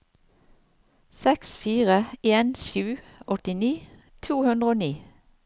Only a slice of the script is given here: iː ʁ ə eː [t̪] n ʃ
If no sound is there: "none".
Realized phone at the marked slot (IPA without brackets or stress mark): none